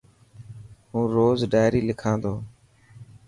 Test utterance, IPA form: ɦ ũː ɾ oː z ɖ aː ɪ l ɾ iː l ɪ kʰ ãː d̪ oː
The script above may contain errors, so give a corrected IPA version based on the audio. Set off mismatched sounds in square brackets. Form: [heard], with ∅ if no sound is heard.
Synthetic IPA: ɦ ũː ɾ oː z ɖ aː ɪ [∅] ɾ iː l ɪ kʰ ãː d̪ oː